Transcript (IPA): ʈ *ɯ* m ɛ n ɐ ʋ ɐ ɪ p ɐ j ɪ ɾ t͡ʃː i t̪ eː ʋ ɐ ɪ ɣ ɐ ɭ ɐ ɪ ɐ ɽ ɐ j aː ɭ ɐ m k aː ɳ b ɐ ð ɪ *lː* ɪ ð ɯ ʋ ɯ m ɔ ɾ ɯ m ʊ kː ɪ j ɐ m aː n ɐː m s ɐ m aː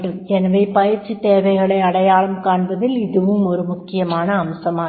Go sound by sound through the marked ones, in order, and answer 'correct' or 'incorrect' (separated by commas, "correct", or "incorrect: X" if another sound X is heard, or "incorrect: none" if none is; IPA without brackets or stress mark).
correct, incorrect: l